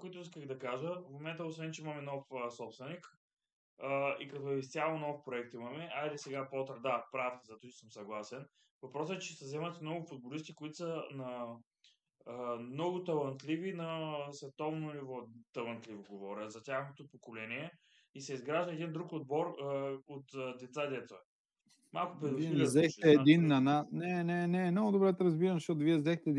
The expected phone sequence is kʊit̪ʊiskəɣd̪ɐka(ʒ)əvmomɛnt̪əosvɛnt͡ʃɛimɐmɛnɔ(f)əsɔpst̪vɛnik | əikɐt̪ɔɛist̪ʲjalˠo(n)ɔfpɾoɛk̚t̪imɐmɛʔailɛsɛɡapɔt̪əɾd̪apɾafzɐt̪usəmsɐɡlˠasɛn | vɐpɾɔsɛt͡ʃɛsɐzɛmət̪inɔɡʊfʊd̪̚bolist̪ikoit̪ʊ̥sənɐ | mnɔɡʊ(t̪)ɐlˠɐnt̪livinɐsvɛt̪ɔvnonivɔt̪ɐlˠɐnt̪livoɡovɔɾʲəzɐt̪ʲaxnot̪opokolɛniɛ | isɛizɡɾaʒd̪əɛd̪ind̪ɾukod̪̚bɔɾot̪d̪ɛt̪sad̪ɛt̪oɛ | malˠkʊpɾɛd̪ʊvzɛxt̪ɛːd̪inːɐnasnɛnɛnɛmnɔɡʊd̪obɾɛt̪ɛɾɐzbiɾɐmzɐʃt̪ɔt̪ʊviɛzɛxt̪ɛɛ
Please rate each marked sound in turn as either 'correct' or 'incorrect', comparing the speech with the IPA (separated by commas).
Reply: correct, correct, correct, correct